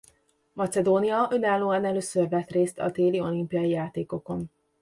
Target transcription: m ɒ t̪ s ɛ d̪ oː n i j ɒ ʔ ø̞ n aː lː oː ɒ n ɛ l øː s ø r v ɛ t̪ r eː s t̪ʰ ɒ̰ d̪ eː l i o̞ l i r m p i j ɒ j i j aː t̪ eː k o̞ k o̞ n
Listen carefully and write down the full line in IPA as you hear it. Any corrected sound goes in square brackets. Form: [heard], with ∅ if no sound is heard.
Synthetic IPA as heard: m ɒ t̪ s ɛ d̪ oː n i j ɒ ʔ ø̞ n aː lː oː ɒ n ɛ l øː s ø r v ɛ t̪ r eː s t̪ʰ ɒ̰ d̪ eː l i o̞ l i [∅] m p i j ɒ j i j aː t̪ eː k o̞ k o̞ n